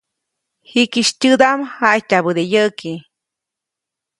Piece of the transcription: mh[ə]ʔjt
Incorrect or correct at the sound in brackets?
incorrect: a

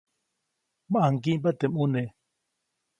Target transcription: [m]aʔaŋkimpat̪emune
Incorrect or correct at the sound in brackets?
correct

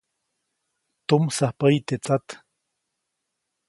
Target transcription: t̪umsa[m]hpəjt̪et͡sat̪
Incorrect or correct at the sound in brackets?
incorrect: none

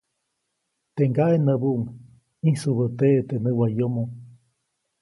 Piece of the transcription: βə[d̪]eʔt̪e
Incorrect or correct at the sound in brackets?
incorrect: t̪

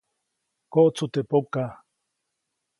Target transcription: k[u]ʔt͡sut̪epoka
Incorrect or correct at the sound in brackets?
incorrect: o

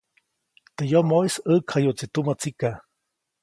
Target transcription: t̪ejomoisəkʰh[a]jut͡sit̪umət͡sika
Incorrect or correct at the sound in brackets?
correct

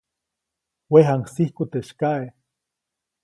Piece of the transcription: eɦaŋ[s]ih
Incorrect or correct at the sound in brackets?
correct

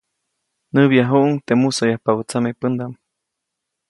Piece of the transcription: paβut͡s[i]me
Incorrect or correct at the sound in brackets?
incorrect: a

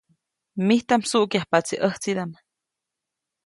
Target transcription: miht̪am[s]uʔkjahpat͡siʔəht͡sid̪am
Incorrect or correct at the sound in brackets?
correct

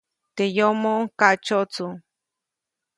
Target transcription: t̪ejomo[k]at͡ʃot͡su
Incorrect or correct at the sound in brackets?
correct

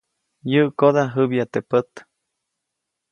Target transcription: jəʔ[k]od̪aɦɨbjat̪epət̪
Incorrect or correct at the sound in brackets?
correct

